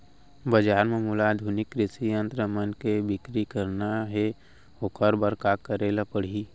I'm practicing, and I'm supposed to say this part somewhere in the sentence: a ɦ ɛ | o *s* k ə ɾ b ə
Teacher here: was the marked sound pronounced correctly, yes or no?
no